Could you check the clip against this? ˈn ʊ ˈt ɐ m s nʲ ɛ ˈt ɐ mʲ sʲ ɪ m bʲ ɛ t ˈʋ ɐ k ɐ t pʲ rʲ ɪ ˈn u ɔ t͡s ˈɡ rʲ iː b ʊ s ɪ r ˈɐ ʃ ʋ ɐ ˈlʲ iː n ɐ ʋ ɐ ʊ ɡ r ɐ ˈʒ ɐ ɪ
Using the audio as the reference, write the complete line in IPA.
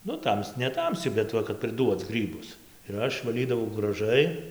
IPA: ˈn ʊ ˈt ɐ m s nʲ ɛ ˈt ɐ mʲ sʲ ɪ bʲ ɛ t ˈʋ ɐ k ɐ t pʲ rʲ ɪ ˈd u ɔ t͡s ˈɡ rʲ iː b ʊ s ɪ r ˈɐ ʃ ʋ ɐ ˈlʲ iː d ɐ ʋ ɐ ʊ ɡ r ɐ ˈʒ ɐ ɪ